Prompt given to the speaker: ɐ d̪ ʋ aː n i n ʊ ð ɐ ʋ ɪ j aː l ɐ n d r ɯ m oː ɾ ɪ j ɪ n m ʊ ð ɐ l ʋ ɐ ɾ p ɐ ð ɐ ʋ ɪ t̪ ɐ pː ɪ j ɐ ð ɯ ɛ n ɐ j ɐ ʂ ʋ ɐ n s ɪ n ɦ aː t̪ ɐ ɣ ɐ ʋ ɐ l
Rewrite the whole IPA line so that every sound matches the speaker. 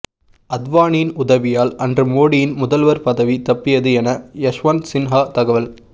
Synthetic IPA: ɐ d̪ ʋ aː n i n ʊ ð ɐ ʋ ɪ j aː l ɐ n d r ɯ m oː ɽ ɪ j ɪ n m ʊ ð ɐ l ʋ ɐ ɾ p ɐ ð ɐ ʋ i t̪ ɐ pː ɪ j ɐ ð ɯ ɛ n ɐ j ɐ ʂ ʋ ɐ n s ɪ n ɦ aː t̪ ɐ ɣ ɐ ʋ ɐ l

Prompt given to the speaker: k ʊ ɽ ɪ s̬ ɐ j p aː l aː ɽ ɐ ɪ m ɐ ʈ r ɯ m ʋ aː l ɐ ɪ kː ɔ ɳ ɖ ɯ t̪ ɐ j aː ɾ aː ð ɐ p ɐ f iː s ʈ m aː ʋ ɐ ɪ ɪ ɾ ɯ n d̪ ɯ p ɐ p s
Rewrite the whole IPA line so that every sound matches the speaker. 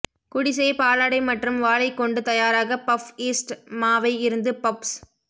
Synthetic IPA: k ʊ ɽ ɪ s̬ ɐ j p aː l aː ɽ ɐ ɪ m ɐ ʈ r ɯ m ʋ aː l ɐ ɪ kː ɔ ɳ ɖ ɯ t̪ ɐ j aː ɾ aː ɣ ɐ p ɐ f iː s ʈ m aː ʋ ɐ ɪ ɪ ɾ ɯ n d̪ ɯ p ɐ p s

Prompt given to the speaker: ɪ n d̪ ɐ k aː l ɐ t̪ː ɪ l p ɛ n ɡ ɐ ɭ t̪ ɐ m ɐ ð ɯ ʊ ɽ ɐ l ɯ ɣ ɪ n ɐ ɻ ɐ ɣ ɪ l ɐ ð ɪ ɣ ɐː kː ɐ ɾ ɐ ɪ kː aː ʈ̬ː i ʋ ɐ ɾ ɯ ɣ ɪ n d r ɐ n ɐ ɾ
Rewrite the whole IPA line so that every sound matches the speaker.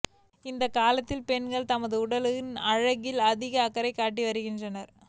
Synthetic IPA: ɪ n d̪ ɐ k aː l ɐ t̪ː ɪ l p ɛ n ɡ ɐ ɭ t̪ ɐ m ɐ ð ɯ ʊ ɽ ɐ l ɯ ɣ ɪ n ɐ ɻ ɐ ɣ ɪ l ɐ ð ɪ ɣ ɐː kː ɐ ɾ ɐ ɪ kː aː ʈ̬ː i ʋ ɐ ɾ ɯ ɣ ɪ n d r ɐ n ɐ ɾ

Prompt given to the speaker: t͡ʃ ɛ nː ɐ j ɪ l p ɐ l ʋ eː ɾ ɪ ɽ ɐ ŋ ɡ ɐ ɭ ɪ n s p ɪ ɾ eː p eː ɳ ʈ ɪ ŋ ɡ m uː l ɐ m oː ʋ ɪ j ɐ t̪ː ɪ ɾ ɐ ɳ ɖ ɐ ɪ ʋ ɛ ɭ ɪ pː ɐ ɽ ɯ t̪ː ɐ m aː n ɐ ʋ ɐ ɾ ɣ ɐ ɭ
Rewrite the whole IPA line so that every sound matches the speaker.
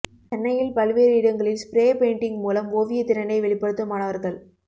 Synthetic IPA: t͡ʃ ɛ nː ɐ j ɪ l p ɐ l ʋ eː ɾ ɪ ɽ ɐ ŋ ɡ ɐ ɭ ɪ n s p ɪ ɾ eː p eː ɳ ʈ ɪ ŋ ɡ m uː l ɐ m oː ʋ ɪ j ɐ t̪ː ɪ ɾ ɐ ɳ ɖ ɐ ɪ ʋ ɛ ɭ ɪ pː ɐ ɽ ɯ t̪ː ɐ m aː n ɐ ʋ ɐ ɾ ɣ ɐ ɭ

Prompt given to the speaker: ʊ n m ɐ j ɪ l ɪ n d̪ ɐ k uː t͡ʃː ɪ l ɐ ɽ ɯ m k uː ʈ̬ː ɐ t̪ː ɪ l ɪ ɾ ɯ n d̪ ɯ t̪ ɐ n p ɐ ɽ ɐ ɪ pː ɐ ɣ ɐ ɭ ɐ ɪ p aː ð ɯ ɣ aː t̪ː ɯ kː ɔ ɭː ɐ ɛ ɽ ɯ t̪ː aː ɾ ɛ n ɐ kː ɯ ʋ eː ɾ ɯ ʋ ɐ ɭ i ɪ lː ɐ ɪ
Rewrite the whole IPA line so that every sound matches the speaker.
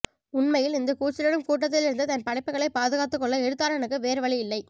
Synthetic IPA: ʊ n m ɐ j ɪ l ɪ n d̪ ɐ k uː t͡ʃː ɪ l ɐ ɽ ɯ m k uː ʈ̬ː ɐ t̪ː ɪ l ɪ ɾ ɯ n d̪ ɯ t̪ ɐ n p ɐ ɽ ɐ ɪ pː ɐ ɣ ɐ ɭ ɐ ɪ p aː ð ɯ ɣ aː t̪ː ɯ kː ɔ ɭː ɐ ɛ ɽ ɯ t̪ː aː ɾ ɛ n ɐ kː ɯ ʋ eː ɾ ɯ ʋ ɐ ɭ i ɪ lː ɐ ɪ

